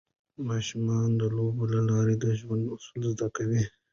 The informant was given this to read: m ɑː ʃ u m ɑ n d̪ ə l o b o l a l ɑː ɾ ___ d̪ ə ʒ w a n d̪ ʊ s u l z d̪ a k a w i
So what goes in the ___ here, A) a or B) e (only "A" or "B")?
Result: B